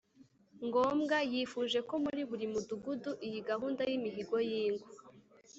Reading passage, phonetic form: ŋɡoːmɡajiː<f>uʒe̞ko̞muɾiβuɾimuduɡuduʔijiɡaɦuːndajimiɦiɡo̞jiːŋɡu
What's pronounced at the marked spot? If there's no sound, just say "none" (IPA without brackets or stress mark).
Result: f